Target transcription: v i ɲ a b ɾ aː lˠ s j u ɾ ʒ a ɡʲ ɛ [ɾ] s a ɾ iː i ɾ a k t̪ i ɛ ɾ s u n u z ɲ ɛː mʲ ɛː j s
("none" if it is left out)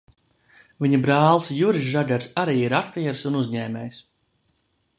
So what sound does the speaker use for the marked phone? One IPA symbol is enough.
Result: ɾ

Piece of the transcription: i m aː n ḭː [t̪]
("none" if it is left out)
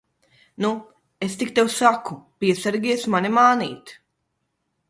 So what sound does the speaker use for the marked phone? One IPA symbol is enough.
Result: t̪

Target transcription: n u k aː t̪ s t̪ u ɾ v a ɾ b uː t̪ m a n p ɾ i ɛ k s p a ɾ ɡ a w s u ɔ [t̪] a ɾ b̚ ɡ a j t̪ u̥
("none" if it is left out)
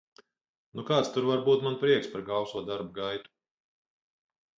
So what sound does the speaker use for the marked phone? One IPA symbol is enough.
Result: d̪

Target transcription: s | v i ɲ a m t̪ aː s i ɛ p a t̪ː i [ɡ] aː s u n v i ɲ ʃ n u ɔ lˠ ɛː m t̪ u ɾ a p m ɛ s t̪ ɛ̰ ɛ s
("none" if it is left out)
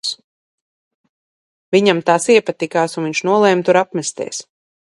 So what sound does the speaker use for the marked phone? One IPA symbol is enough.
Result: k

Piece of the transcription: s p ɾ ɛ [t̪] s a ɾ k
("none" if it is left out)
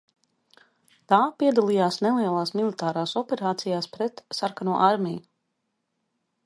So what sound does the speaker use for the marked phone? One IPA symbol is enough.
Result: t̪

